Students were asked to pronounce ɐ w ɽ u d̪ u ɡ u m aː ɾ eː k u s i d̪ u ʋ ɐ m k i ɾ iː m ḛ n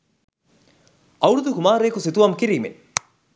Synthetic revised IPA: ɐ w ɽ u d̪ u k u m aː ɾ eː k u s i t̪ u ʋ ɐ m k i ɾ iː m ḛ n